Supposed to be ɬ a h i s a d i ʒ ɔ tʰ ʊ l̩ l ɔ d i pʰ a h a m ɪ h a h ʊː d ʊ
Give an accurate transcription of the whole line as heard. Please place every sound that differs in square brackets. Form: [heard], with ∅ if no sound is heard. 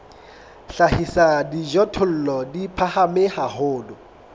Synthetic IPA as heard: ɬ a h i s a d i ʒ ɔ tʰ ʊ l̩ l ɔ d i pʰ a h a m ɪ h a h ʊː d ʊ